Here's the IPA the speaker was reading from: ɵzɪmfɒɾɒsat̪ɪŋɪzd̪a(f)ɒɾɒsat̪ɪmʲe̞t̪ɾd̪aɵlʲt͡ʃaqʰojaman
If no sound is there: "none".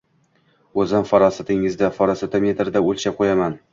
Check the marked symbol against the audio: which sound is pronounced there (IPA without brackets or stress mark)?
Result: f